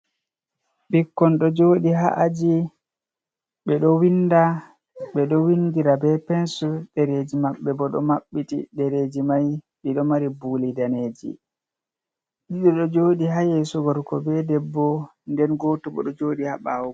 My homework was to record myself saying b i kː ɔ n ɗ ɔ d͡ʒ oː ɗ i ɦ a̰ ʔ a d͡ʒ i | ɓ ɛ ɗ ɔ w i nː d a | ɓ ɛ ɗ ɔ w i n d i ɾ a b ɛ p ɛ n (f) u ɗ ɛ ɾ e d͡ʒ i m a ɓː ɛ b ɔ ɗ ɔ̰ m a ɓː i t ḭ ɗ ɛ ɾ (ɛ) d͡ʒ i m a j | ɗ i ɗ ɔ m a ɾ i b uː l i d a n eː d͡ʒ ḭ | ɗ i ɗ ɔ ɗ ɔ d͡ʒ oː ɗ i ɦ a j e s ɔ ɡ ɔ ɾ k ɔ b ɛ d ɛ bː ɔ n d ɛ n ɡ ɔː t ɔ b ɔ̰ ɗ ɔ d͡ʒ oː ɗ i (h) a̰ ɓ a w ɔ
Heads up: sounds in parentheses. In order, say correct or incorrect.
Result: incorrect: s, incorrect: e, correct

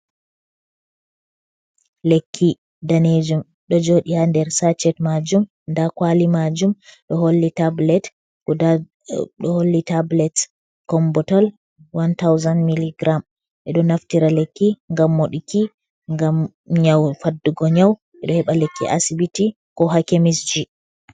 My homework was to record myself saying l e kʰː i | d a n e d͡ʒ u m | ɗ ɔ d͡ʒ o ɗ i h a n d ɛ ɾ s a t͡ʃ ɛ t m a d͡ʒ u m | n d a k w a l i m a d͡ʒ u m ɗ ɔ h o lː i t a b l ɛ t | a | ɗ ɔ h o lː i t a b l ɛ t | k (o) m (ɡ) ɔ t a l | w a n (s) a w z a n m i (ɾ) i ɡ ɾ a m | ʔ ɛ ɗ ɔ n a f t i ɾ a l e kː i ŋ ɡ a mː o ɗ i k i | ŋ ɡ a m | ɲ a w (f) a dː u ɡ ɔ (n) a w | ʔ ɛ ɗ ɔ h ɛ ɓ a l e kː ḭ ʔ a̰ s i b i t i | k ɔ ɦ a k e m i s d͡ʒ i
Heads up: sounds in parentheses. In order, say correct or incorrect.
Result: incorrect: ɔ, incorrect: b, incorrect: t, incorrect: l, correct, incorrect: ɲ

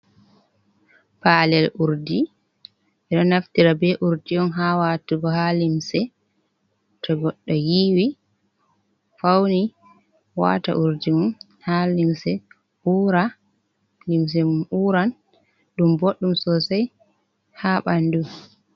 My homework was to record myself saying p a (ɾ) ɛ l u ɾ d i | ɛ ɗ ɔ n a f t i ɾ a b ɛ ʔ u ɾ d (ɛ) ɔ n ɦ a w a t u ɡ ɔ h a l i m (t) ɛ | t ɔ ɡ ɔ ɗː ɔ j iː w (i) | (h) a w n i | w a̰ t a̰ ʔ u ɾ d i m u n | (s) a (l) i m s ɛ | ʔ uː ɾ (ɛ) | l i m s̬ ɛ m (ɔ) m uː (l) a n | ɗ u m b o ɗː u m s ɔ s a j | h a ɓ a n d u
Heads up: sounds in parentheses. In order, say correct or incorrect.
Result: incorrect: l, incorrect: i, incorrect: s, correct, incorrect: f, incorrect: h, correct, incorrect: a, incorrect: u, incorrect: ɾ

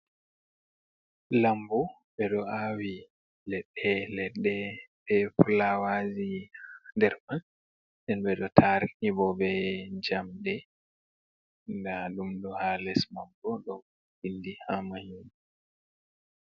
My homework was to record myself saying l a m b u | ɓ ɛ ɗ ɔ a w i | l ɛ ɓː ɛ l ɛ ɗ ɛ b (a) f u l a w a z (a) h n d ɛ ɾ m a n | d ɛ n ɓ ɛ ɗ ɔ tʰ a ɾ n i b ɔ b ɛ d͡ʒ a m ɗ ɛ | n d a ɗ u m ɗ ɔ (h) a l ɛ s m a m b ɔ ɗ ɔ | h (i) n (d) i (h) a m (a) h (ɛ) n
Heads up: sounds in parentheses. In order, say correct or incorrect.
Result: incorrect: ɛ, incorrect: i, correct, correct, correct, correct, correct, incorrect: i

